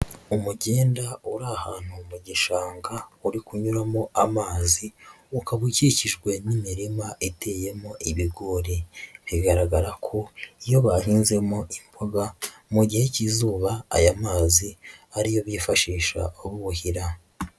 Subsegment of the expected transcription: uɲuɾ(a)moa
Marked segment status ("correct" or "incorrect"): correct